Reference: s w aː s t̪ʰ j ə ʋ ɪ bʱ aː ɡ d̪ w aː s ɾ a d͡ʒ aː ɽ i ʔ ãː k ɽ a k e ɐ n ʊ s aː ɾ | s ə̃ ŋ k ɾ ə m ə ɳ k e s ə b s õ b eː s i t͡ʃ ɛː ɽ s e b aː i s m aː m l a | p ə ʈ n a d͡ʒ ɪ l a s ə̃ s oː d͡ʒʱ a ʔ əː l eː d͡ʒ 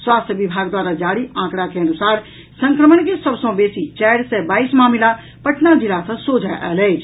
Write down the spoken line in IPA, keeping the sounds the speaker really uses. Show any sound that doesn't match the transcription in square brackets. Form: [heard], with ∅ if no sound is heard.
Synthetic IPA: s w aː s t̪ʰ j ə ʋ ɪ bʱ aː ɡ d̪ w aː [∅] ɾ a d͡ʒ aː ɽ i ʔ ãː k ɽ a k e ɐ n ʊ s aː ɾ | s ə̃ ŋ k ɾ ə m ə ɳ k e s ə b s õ b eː s i t͡ʃ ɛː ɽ s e b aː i s m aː m l a | p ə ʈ n a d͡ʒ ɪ l a s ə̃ s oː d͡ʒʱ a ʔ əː l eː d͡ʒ